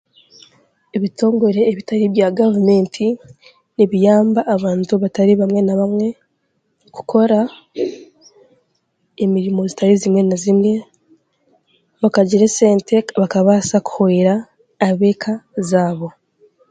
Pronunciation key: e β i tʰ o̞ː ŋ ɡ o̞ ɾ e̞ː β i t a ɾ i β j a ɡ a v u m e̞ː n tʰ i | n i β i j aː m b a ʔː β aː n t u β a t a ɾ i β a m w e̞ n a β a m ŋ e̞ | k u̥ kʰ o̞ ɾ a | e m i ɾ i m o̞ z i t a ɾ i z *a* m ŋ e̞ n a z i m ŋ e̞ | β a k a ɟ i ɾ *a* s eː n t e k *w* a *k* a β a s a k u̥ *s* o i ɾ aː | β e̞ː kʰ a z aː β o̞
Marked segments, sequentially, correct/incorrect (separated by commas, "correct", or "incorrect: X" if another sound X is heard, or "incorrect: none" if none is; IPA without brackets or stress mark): incorrect: i, incorrect: e, incorrect: β, correct, incorrect: h